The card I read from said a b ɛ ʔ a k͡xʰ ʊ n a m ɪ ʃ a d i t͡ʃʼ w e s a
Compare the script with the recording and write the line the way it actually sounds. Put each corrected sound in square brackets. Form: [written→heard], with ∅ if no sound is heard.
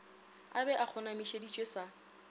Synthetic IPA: a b ɛ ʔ a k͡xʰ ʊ n a m [ɪ→i] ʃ [a→e] d i t͡ʃʼ w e s a